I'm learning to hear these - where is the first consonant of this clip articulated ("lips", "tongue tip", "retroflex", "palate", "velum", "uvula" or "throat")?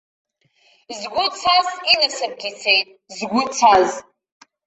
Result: tongue tip